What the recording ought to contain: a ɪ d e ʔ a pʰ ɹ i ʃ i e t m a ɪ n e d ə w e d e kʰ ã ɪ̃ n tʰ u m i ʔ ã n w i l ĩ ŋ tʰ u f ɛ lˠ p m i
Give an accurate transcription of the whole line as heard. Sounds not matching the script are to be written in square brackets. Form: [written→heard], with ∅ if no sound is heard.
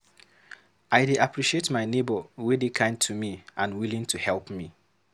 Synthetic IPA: a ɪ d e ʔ a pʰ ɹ i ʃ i e t m a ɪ n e [d→b] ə w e d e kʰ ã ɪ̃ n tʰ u m i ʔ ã n w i l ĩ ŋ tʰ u [f→h] ɛ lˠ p m i

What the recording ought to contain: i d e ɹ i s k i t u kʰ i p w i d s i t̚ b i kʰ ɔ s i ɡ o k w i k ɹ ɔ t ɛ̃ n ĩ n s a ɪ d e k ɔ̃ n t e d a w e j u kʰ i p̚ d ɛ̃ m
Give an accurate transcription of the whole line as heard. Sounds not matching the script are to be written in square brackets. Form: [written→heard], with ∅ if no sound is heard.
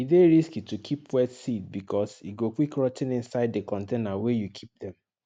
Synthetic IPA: i d e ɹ i s k i t u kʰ i p w [i→ɛ] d s i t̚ b i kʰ ɔ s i ɡ o k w i k ɹ ɔ t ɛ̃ n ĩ n s a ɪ d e k ɔ̃ n t e [d→n] a w e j u kʰ i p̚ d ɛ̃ m

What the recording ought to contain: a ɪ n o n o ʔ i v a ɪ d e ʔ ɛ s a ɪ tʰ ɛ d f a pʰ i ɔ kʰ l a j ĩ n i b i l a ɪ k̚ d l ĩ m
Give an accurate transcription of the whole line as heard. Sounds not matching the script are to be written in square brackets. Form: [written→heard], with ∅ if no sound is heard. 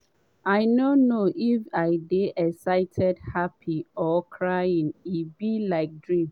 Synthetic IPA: a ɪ n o n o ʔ i [v→f] a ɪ d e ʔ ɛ s a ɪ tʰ ɛ d [f→h] a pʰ i ɔ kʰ [l→ɹ] a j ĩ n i b i l a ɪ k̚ d [l→ɹ] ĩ m

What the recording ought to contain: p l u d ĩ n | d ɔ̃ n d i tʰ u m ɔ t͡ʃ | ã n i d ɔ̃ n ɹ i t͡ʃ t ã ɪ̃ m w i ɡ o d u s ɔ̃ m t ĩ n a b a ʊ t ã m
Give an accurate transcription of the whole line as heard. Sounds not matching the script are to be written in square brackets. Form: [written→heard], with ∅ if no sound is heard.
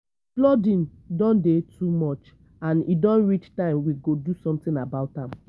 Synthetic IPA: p l [u→ɔ] d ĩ n | d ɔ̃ n d [i→e] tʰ u m ɔ t͡ʃ | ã n i d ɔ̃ n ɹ i t͡ʃ t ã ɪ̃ m w i ɡ o d u s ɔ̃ m t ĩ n a b a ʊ t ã m

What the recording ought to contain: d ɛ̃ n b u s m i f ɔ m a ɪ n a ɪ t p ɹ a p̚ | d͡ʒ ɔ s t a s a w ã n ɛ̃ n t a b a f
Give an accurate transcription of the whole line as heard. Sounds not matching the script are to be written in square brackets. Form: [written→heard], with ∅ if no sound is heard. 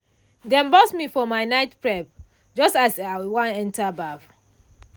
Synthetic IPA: d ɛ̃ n b [u→ɔ] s m i f ɔ m a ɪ n a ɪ t p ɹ [a→ɛ] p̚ | d͡ʒ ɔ s t a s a w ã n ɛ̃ n t a b a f

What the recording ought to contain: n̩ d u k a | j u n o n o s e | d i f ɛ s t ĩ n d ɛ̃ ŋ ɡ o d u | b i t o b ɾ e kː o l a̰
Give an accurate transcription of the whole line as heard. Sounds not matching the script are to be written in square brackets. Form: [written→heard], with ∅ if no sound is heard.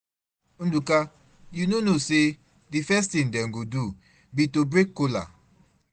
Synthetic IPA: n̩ d u k a | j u n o n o s e | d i f ɛ s t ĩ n d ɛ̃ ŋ ɡ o d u | b i t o b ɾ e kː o l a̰

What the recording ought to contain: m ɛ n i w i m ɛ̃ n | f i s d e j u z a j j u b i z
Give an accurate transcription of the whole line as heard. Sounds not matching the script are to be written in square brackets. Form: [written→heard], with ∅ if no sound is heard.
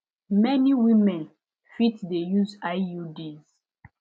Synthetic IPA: m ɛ n i w i m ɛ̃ n | f i [s→t] d e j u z a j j u [b→d] i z

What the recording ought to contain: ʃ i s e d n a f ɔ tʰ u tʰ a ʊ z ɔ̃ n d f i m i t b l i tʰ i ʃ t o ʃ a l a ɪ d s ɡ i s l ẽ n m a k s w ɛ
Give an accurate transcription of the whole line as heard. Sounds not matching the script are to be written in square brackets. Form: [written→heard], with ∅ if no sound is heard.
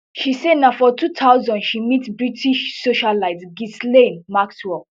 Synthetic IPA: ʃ i s e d n a f ɔ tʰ u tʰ a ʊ z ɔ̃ n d [f→ʃ] i m i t b [l→ɹ] i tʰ i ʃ [t→s] o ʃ a l a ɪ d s ɡ i s l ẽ n m a k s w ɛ

